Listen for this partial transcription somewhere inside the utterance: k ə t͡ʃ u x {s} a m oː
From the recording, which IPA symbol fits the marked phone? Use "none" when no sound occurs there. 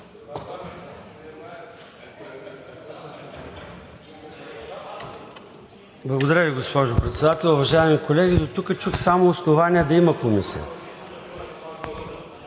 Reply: s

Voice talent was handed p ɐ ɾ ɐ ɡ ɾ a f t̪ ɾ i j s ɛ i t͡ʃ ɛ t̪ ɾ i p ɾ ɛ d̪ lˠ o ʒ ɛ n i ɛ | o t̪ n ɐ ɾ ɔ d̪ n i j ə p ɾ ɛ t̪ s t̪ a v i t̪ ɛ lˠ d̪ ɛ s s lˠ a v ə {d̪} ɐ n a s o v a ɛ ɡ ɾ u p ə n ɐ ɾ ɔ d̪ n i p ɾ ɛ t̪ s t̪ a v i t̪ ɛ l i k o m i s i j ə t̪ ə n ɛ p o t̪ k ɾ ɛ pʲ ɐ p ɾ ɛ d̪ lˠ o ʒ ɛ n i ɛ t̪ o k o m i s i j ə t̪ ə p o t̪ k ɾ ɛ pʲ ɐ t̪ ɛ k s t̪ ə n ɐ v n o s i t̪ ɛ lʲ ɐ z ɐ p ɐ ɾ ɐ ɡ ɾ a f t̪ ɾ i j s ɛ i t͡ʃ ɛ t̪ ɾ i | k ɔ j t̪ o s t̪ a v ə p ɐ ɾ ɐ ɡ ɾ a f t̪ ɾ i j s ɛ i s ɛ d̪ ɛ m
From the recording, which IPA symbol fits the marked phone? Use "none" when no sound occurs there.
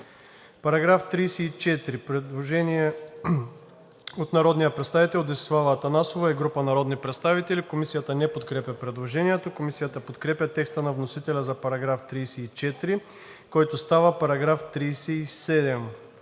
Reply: t̪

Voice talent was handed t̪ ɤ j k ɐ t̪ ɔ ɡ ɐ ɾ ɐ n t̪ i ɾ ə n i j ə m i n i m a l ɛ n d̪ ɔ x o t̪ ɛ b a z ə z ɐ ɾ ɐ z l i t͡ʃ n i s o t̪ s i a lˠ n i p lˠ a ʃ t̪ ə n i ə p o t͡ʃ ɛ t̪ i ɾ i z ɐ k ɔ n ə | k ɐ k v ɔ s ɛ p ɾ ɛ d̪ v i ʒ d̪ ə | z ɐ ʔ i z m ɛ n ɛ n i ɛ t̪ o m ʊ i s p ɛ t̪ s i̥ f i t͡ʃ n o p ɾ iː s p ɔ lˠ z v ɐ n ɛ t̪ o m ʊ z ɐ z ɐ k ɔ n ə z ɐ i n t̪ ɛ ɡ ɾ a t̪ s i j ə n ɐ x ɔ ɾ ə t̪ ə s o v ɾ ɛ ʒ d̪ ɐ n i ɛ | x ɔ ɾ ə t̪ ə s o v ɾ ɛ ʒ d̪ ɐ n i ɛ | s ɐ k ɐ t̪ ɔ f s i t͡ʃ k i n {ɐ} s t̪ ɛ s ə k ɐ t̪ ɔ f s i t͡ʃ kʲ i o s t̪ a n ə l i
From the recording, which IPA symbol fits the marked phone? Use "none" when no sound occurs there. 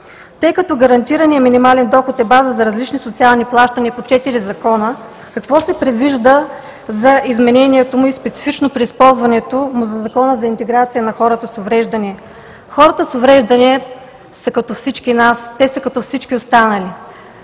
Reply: a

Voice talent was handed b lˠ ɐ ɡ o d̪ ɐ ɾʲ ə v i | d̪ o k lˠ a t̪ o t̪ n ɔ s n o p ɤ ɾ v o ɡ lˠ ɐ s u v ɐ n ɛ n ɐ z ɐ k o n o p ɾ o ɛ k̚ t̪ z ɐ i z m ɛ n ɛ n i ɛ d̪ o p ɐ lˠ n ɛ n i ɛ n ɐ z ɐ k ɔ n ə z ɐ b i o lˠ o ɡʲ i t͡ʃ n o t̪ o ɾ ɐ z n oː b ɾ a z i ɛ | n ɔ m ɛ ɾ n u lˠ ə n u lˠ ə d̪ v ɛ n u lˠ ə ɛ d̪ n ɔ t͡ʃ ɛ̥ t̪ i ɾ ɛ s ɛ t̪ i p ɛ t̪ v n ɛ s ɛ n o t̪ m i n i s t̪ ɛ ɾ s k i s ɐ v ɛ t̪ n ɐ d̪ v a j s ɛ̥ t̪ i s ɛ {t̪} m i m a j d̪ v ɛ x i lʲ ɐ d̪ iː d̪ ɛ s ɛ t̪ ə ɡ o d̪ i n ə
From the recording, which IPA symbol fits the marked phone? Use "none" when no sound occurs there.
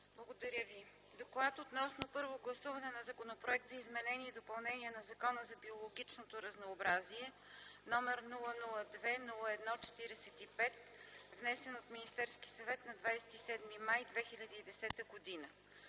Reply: d̪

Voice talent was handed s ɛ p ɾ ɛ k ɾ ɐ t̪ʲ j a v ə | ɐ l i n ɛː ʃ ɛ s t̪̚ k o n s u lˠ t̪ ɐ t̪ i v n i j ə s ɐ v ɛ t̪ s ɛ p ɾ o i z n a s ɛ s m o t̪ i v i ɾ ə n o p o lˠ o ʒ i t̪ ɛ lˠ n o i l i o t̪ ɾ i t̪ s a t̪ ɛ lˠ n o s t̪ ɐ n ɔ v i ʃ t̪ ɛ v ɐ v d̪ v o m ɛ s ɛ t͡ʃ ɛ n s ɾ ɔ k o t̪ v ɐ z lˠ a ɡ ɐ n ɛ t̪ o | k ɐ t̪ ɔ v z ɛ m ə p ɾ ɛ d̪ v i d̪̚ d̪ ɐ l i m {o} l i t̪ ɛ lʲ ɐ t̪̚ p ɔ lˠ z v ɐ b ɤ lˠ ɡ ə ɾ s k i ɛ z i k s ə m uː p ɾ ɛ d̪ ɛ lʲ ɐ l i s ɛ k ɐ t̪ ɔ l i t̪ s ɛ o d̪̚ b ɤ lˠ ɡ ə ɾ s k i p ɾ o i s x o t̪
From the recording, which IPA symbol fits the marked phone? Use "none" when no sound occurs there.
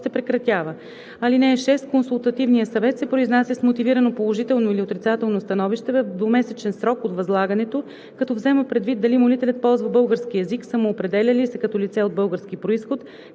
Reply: o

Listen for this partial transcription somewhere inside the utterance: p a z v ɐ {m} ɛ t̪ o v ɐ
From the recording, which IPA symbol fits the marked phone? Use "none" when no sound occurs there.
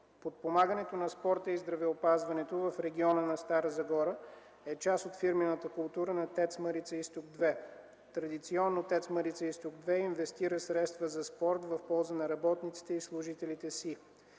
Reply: n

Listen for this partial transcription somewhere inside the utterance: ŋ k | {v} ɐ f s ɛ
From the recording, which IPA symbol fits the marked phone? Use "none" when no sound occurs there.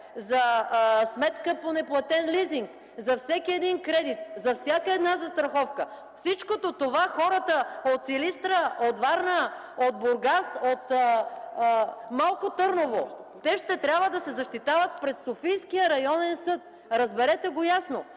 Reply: z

